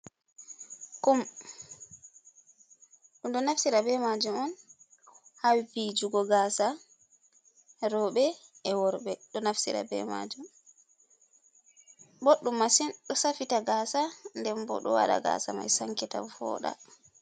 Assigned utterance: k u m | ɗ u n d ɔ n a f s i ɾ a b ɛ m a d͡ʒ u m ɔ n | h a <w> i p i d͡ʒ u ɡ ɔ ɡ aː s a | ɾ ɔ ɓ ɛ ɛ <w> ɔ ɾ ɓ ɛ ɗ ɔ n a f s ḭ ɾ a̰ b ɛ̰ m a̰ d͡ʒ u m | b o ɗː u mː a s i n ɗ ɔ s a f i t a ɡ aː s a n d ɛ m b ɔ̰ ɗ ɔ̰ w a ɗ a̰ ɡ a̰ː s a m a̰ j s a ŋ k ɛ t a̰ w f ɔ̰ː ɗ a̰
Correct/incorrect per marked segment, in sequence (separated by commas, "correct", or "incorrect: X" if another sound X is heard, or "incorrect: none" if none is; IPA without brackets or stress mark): correct, correct